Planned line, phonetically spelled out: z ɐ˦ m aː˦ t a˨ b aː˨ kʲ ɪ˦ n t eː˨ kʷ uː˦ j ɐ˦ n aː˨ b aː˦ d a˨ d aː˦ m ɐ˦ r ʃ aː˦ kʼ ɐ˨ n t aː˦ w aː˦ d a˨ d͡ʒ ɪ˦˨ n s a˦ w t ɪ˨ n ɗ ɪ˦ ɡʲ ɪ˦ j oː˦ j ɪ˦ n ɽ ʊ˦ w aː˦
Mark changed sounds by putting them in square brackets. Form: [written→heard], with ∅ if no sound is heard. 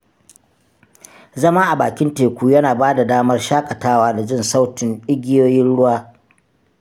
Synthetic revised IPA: z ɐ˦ m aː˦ [t→ʔ] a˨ b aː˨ kʲ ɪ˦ n t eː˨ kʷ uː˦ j ɐ˦ n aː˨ b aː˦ d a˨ d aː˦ m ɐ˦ r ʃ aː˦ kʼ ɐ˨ [n→∅] t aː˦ w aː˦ d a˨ d͡ʒ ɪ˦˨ n s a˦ w t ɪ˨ n ɗ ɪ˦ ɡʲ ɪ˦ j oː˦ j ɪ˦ n ɽ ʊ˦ w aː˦